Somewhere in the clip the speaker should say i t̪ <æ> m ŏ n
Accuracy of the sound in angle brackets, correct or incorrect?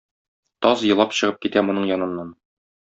correct